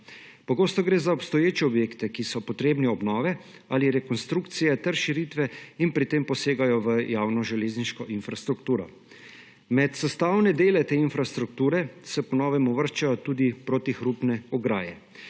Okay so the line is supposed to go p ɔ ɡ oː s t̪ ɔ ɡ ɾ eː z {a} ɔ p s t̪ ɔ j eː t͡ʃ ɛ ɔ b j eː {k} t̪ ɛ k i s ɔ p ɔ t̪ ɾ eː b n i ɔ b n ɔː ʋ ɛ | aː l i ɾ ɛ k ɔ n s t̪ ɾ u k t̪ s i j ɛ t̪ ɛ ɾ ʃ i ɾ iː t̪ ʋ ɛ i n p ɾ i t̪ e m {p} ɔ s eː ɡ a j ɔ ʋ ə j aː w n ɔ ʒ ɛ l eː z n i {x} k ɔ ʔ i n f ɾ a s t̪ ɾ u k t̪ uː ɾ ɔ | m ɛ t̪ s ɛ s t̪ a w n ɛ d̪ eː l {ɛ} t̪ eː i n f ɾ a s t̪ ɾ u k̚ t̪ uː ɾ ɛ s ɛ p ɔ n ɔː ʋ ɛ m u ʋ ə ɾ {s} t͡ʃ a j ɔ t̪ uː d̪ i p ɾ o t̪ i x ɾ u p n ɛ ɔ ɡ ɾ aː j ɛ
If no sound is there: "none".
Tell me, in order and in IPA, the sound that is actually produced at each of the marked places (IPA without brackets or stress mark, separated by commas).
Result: a, k, p, ʃ, ɛ, ʃ